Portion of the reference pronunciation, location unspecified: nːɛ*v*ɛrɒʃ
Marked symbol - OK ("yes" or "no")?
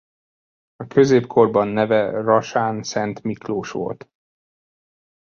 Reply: yes